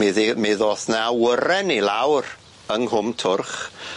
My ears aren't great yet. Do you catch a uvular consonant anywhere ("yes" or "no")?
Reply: yes